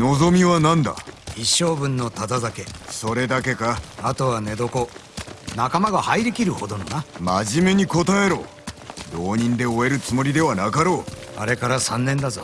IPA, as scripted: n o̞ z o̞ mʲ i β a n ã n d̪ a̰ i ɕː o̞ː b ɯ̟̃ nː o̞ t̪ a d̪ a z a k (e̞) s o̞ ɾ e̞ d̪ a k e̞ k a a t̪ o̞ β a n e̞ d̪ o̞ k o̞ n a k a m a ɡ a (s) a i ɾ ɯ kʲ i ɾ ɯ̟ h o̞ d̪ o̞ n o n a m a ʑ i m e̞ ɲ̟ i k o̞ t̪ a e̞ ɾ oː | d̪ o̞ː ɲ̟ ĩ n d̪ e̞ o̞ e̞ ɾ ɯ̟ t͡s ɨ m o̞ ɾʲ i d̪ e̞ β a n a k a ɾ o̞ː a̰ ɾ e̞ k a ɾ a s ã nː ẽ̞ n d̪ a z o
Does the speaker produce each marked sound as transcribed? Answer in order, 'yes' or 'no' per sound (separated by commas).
yes, no